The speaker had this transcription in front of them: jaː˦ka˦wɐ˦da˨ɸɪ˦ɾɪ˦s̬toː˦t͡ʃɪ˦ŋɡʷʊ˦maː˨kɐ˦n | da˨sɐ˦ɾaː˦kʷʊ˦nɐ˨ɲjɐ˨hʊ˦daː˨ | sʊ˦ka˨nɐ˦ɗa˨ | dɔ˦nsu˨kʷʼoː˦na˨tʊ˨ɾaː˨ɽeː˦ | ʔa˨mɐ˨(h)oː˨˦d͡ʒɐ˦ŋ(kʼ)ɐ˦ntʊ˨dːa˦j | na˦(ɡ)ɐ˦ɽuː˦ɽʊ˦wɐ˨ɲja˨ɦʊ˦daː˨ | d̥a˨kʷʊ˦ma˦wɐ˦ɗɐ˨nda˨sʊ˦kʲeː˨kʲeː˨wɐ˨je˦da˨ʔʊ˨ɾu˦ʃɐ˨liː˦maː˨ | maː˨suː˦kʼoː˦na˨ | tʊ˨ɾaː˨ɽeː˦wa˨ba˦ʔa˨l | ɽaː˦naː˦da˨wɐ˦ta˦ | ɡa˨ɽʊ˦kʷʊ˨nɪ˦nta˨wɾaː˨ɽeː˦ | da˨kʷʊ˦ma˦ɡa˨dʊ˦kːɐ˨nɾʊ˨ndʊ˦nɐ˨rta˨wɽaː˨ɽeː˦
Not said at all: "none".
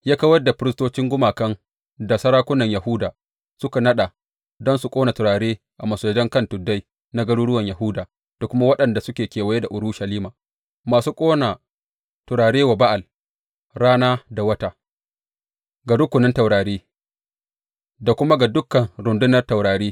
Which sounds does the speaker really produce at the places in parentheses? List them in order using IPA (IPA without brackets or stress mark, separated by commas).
s, k, ɡ